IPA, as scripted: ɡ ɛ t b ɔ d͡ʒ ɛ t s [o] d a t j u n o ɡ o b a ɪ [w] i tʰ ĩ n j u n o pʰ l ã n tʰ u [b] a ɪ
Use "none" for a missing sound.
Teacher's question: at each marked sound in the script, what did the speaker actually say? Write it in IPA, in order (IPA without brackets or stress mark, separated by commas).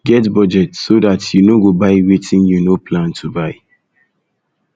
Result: o, w, b